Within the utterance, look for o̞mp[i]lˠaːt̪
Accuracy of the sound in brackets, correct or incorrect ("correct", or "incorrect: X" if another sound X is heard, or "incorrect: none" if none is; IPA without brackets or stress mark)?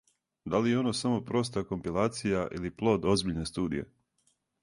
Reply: correct